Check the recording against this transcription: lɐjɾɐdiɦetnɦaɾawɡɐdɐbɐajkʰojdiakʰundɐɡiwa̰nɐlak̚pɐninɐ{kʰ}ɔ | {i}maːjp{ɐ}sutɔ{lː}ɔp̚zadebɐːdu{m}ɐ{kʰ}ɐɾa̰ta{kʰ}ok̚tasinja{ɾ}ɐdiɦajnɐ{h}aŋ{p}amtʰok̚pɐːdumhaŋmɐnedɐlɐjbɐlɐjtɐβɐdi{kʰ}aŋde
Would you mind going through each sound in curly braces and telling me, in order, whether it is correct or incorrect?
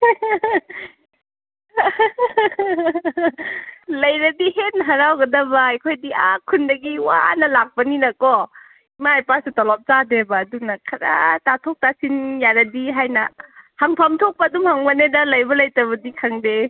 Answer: incorrect, correct, incorrect, incorrect, incorrect, correct, incorrect, correct, correct, incorrect, correct

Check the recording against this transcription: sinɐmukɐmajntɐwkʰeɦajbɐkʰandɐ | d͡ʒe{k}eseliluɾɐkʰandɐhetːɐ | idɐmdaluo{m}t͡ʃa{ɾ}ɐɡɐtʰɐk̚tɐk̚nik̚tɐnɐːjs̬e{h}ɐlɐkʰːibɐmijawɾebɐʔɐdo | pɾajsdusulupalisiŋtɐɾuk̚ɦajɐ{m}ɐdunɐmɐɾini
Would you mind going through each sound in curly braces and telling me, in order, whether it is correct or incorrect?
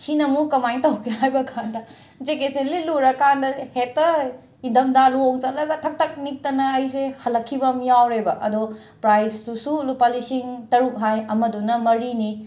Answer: correct, incorrect, incorrect, correct, correct

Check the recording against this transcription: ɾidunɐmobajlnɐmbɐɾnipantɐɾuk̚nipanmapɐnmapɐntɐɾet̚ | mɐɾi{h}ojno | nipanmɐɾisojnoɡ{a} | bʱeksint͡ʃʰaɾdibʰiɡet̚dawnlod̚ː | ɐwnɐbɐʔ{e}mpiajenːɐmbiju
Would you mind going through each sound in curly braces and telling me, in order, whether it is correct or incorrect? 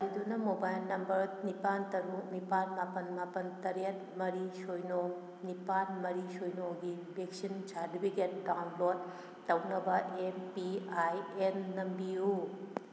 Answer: incorrect, incorrect, correct

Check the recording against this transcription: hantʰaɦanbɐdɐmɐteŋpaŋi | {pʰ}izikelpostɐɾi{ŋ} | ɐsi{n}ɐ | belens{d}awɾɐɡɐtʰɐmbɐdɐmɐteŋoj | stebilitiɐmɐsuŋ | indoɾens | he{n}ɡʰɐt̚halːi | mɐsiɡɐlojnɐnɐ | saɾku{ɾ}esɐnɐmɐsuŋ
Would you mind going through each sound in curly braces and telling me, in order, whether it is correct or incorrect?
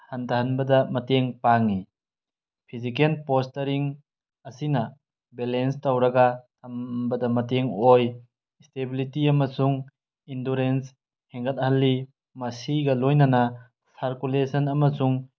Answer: correct, correct, correct, incorrect, incorrect, incorrect

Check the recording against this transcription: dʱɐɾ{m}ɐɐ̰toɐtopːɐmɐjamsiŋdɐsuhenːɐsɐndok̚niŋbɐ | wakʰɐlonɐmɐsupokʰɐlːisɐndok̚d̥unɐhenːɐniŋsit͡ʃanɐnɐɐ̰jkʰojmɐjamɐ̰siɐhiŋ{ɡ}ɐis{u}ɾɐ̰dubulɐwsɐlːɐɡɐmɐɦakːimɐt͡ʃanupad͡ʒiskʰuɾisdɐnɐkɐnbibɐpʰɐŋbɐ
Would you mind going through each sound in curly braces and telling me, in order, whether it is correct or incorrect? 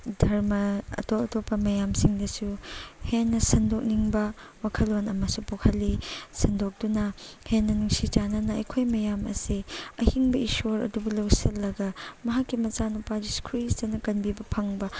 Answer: correct, incorrect, incorrect

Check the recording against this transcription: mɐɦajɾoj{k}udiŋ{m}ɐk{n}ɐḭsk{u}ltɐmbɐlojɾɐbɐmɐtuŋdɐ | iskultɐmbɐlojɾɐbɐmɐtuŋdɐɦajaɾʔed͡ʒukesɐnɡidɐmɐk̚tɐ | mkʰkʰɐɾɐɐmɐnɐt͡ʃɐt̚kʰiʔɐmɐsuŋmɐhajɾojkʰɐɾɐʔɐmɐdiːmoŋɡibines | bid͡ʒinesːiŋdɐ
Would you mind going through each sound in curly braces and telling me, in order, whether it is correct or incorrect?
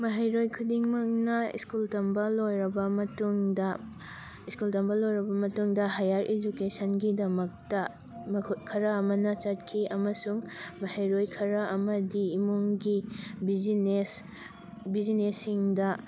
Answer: incorrect, correct, correct, correct

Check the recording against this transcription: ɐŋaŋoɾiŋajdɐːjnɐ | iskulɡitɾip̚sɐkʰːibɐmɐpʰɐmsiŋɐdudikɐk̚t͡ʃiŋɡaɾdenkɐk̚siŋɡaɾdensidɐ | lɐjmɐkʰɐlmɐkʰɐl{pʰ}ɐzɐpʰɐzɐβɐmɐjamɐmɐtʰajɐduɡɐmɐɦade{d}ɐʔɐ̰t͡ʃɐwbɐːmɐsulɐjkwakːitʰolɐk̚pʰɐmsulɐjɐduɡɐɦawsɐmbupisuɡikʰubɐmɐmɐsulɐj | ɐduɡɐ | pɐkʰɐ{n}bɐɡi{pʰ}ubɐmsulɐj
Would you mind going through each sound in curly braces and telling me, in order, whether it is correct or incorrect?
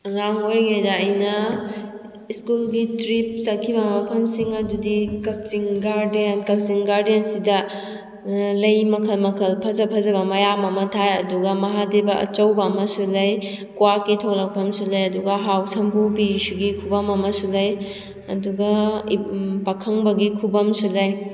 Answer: correct, incorrect, incorrect, incorrect

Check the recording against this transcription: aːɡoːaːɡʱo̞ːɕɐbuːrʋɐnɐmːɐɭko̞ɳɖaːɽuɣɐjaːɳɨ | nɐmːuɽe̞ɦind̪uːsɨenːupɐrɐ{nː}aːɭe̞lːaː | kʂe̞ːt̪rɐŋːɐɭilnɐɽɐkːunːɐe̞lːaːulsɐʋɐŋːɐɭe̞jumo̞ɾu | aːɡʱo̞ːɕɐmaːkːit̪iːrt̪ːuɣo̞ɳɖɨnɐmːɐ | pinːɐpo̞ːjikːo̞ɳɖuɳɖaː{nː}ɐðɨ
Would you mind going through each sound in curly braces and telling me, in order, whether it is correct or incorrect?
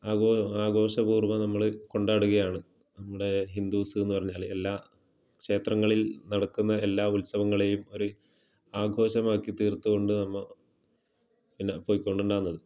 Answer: incorrect, correct

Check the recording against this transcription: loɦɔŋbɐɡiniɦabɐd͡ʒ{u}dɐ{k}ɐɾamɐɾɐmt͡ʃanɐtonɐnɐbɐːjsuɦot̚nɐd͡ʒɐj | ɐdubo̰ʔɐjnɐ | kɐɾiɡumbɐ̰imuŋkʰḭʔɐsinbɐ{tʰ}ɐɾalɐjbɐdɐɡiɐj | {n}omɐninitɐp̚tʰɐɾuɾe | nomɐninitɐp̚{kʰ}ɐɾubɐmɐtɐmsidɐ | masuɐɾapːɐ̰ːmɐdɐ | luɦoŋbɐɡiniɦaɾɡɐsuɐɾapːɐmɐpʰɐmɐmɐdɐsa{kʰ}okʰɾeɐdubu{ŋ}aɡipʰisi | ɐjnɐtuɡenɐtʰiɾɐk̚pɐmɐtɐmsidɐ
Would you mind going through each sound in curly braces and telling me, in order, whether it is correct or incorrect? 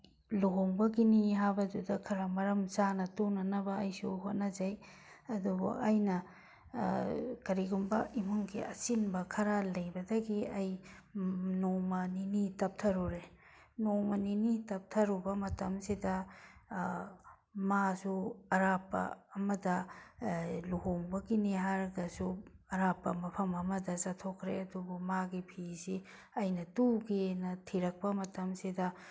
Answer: correct, incorrect, incorrect, correct, incorrect, incorrect, incorrect

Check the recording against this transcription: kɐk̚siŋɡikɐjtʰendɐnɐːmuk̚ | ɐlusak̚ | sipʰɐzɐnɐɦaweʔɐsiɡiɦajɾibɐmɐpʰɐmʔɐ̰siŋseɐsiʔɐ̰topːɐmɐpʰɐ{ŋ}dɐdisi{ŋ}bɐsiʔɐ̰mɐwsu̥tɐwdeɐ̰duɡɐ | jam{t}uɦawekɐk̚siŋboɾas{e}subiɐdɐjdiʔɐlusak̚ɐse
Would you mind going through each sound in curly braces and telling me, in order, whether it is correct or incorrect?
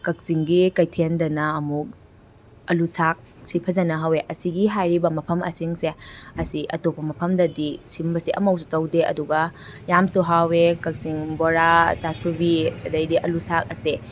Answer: incorrect, incorrect, incorrect, incorrect

